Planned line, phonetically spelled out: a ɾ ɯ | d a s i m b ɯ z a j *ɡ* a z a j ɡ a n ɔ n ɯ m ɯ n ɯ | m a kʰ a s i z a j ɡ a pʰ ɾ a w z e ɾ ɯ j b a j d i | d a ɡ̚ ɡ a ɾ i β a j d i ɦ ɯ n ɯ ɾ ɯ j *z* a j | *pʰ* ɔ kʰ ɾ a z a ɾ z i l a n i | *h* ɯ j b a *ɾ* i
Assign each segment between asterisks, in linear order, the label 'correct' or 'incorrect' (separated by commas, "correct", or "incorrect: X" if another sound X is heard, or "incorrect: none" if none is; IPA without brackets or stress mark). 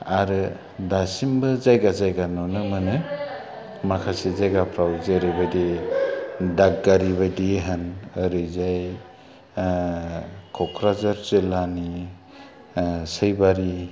correct, correct, incorrect: kʰ, incorrect: s, correct